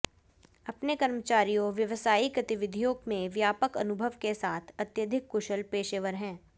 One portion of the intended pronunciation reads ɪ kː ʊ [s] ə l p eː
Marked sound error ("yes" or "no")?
yes